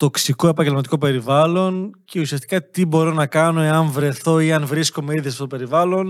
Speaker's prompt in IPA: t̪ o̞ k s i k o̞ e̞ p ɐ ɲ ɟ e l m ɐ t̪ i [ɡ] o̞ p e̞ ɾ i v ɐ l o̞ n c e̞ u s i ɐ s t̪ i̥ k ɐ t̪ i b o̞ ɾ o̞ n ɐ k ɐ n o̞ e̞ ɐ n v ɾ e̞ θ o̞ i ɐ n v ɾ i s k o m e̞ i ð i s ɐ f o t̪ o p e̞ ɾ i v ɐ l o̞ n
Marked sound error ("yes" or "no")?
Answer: yes